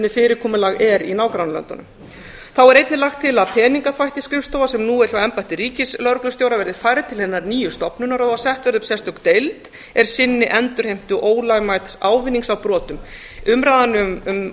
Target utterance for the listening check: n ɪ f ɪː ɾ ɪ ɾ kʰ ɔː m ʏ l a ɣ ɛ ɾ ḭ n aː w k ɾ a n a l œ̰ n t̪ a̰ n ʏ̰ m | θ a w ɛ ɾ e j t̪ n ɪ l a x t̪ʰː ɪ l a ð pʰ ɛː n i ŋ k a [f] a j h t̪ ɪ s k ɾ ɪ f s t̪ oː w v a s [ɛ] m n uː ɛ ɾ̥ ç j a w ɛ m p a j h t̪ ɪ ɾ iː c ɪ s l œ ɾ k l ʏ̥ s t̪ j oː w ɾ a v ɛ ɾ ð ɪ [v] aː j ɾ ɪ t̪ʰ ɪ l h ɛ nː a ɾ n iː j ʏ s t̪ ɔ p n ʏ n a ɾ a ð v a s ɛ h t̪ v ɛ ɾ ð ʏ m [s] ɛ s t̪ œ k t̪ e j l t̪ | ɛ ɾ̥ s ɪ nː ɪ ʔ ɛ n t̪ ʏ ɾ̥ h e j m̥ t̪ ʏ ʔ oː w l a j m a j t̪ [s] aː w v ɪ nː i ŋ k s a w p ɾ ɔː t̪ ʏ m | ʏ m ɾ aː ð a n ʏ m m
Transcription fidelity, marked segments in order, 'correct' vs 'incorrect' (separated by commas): correct, correct, incorrect, correct, correct